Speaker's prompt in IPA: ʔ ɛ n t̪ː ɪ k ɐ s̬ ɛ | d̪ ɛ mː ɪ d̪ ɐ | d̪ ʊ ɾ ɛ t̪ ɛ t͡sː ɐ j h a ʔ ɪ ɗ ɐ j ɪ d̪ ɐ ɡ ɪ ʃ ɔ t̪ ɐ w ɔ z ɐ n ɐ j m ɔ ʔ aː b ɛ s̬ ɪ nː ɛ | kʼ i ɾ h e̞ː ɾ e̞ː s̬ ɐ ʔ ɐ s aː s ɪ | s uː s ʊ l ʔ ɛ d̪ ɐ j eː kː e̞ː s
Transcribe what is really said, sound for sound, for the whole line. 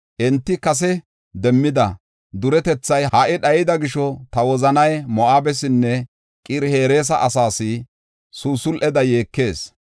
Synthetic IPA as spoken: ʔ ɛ n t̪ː ɪ k ɐ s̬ ɛ | d̪ ɛ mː ɪ d̪ ɐ | d̪ ʊ ɾ ɛ t̪ ɛ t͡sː ɐ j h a ʔ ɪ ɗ ɐ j ɪ d̪ ɐ ɡ ɪ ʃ ɔ t̪ ɐ w ɔ z ɐ n ɐ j m ɔ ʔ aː b ɛ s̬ ɪ nː ɛ | kʼ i ɾ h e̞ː ɾ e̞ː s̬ ɐ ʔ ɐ s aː s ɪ | s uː s ʊ l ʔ ɛ d̪ ɐ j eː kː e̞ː s